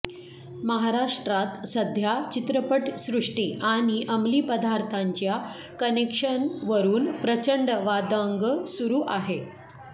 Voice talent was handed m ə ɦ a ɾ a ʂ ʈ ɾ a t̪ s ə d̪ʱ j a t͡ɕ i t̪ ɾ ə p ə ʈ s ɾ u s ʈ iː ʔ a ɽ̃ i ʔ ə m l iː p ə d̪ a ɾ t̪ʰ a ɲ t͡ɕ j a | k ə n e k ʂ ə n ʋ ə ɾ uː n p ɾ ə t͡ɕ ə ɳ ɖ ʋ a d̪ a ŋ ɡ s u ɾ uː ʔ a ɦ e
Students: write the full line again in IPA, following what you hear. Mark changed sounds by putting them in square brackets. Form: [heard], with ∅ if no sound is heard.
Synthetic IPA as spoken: m ə ɦ a ɾ a ʂ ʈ ɾ a t̪ s ə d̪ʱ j a t͡ɕ i t̪ ɾ ə p ə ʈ s ɾ u [ʂ] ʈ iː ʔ a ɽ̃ i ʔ ə m l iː p ə d̪ a ɾ t̪ʰ a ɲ t͡ɕ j a | k ə n e k ʂ ə n ʋ ə ɾ uː n p ɾ ə t͡ɕ ə ɳ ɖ ʋ a d̪ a ŋ ɡ s u ɾ uː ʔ a ɦ e